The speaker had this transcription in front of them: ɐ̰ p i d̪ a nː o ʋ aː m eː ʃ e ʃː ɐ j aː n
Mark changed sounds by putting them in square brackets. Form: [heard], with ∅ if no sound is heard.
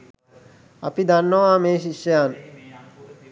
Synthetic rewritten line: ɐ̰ p i d̪ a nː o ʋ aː m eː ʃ [i] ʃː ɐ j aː n